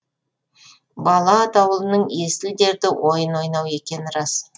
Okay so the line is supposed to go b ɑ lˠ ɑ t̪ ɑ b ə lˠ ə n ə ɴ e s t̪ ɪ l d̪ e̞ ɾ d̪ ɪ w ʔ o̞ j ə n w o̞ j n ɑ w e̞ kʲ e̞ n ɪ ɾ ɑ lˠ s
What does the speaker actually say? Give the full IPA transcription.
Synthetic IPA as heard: b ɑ lˠ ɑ t̪ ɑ w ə lˠ ə n ə ɴ e s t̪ ɪ l d̪ e̞ ɾ d̪ ɪ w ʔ o̞ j ə n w o̞ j n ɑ w e̞ kʲ e̞ n ɪ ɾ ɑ s